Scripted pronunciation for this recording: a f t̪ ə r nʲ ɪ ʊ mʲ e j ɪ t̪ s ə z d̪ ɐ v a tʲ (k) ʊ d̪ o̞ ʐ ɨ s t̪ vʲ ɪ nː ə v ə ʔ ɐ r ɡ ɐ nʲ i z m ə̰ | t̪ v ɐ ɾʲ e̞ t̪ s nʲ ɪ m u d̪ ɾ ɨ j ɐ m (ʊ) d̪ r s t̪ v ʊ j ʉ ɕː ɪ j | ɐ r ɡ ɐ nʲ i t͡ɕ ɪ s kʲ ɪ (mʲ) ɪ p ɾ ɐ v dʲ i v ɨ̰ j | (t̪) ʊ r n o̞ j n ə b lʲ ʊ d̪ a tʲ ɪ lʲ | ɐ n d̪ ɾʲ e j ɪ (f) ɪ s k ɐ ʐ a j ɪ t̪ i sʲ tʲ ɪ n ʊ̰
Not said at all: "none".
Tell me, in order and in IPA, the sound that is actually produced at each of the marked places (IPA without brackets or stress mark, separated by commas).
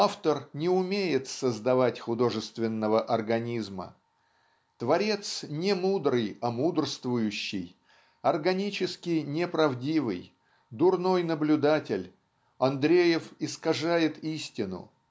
x, u, nʲ, d̪, f